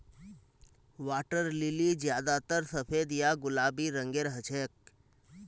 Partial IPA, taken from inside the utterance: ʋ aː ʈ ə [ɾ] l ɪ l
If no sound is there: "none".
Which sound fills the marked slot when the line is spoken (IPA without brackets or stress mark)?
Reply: ɾ